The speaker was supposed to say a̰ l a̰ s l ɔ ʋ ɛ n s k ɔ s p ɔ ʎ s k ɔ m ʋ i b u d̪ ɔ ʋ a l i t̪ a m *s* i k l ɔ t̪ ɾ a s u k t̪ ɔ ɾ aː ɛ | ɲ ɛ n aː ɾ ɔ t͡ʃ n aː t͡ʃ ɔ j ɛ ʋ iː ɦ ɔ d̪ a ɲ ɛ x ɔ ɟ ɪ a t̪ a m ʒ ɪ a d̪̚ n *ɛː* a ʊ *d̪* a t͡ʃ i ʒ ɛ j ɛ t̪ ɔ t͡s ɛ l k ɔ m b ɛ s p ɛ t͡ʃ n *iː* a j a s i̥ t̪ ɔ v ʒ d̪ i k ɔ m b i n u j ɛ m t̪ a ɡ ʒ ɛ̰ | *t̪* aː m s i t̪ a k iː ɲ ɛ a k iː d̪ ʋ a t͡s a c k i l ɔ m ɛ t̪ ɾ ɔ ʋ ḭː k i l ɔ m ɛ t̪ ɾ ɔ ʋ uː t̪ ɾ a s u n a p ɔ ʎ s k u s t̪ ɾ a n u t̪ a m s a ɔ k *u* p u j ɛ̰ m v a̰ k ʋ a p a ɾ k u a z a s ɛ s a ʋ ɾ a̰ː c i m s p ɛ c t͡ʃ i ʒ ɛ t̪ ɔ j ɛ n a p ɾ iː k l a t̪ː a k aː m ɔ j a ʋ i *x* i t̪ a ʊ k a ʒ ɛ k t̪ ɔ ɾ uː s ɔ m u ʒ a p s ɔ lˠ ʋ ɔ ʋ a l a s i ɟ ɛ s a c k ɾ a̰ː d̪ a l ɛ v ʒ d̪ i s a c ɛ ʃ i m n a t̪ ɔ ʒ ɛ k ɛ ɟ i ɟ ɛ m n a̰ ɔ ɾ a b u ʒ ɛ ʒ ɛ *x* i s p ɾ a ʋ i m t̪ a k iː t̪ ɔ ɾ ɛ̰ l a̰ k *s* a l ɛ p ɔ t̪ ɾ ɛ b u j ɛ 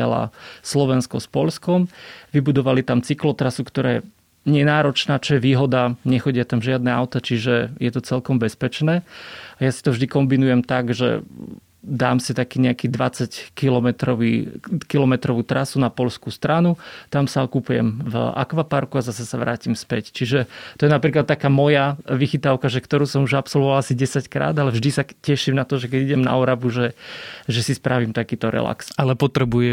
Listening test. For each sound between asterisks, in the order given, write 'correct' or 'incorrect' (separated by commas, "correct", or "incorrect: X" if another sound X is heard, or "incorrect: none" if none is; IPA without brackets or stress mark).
incorrect: t͡s, incorrect: ɛ, incorrect: t̪, incorrect: ɛː, incorrect: d̪, correct, correct, incorrect: s, correct